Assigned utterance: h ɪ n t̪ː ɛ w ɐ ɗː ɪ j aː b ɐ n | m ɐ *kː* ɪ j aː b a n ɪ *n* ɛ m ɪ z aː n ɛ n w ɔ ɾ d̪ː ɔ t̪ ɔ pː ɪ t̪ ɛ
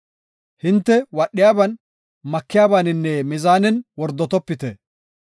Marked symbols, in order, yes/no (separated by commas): yes, no